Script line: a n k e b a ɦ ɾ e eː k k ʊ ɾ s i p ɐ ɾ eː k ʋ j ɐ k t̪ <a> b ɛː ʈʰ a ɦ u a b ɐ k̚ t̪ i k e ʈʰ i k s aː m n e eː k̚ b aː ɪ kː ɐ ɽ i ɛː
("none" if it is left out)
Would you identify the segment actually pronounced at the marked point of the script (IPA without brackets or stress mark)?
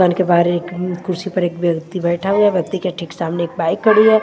i